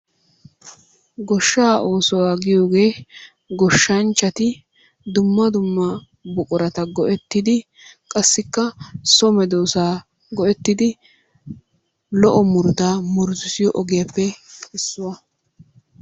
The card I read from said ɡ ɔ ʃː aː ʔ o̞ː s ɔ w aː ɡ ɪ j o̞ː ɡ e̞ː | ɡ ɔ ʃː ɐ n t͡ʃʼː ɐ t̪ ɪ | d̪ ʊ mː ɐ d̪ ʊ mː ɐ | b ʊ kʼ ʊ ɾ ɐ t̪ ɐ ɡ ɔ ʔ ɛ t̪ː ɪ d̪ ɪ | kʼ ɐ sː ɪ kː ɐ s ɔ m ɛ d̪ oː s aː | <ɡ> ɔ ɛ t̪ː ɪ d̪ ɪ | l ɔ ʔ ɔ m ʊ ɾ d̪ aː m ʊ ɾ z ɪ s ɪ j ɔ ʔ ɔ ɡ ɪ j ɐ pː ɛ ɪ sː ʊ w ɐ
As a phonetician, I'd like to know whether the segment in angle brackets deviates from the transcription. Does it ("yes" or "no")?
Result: no